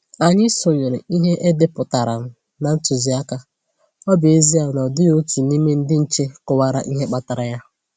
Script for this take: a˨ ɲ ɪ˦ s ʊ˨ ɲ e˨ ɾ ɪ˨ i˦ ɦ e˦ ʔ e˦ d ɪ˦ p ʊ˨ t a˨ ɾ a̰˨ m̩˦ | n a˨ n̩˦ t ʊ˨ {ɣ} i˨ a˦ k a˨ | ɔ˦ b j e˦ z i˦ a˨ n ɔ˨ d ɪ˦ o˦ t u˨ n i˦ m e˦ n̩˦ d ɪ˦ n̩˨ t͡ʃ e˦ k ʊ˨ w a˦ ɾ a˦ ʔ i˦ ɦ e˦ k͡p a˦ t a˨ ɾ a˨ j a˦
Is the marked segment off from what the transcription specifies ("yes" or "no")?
yes